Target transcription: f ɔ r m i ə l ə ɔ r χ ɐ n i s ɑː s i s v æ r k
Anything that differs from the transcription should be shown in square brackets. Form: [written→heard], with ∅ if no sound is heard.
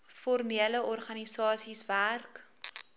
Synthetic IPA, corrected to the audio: f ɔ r m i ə l ə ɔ r χ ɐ n i s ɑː s i s v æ r k